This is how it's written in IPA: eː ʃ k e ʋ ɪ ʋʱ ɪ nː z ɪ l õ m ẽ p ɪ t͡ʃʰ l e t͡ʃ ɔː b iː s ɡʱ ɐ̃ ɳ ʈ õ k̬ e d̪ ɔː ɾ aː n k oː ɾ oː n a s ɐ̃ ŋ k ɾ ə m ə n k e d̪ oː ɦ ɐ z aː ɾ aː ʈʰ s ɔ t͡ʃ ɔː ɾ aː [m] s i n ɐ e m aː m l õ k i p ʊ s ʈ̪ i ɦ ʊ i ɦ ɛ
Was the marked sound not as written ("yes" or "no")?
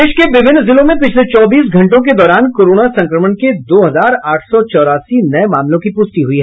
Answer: yes